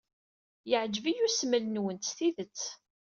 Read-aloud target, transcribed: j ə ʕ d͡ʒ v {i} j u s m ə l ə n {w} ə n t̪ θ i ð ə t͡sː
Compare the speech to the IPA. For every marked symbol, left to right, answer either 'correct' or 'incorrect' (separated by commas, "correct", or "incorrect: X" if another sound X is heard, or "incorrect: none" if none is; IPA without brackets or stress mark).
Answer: correct, correct